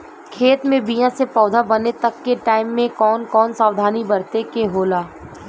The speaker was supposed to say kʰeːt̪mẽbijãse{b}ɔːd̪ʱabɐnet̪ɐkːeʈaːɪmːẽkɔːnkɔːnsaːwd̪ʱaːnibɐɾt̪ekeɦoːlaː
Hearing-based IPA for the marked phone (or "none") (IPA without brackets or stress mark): p